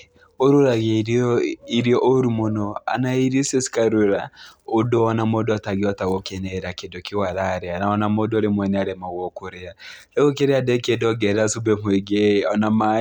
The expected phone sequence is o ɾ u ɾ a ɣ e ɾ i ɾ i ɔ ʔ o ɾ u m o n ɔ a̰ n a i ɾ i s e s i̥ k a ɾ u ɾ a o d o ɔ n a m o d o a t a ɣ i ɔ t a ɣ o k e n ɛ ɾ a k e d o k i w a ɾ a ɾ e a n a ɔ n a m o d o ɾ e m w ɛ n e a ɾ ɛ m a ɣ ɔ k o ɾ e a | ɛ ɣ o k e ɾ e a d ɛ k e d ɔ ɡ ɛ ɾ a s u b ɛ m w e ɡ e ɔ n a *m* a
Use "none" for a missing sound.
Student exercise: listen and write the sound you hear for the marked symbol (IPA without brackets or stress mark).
m